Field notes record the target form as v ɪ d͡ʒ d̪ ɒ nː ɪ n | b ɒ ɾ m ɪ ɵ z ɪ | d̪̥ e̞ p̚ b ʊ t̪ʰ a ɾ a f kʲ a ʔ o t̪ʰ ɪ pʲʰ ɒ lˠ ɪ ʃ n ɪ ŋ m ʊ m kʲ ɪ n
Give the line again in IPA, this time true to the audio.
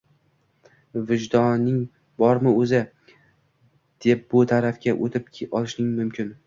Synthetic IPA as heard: v ɪ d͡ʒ d̪ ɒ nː ɪ ŋ | b ɒ ɾ m ɪ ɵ z ɪ | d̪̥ e̞ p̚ b ʊ t̪ʰ a ɾ a f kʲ a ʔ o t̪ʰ ɪ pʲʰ ɒ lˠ ɪ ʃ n ɪ ŋ m ʊ m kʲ ɪ n